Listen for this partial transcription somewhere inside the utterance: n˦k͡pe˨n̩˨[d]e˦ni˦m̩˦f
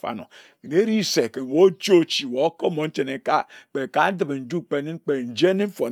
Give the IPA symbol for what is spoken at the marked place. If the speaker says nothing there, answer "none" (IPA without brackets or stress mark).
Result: d͡ʒ